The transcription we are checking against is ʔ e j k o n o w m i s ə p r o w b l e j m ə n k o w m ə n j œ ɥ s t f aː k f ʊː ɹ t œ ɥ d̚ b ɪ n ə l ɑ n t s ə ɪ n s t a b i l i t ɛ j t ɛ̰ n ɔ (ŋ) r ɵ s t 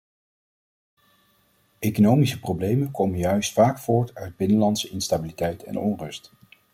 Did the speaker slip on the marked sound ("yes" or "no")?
yes